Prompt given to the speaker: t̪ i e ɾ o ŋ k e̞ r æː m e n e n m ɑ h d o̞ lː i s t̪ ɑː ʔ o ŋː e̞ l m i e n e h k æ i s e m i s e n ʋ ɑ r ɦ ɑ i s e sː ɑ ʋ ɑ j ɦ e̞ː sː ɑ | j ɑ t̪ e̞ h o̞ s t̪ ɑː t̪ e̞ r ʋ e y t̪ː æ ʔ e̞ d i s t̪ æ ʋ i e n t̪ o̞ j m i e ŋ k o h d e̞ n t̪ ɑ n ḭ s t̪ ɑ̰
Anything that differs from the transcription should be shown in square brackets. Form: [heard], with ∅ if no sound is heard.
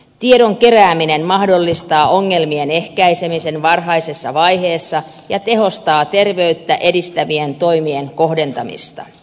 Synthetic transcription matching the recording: t̪ i e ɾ o ŋ k e̞ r æː m [i] n e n m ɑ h d o̞ lː i s t̪ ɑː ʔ o ŋː e̞ l m i e n e h k æ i s e m i s e n ʋ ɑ r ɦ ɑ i s e sː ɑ ʋ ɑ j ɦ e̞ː sː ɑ | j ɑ t̪ e̞ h o̞ s t̪ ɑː t̪ e̞ r ʋ e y t̪ː æ ʔ e̞ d i s t̪ æ ʋ i e n t̪ o̞ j m i e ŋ k o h d e̞ n t̪ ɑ [m] ḭ s t̪ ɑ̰